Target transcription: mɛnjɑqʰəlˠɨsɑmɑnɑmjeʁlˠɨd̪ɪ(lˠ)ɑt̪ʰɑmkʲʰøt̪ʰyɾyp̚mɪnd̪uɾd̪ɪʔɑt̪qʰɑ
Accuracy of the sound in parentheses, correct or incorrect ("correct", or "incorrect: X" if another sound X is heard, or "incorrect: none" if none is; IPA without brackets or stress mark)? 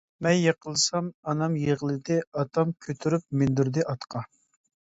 incorrect: none